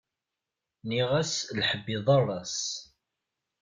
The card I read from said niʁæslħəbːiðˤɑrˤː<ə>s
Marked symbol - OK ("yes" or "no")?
no